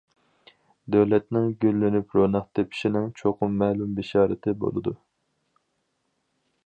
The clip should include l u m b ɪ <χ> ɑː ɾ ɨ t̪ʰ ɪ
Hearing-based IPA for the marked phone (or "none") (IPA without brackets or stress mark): ʃ